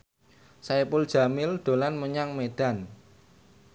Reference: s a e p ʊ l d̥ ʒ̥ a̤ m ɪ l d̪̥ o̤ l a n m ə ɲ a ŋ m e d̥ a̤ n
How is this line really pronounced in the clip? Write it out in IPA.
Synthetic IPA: s a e p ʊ l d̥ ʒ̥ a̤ m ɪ l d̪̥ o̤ l a n m ə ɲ a ŋ m e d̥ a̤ n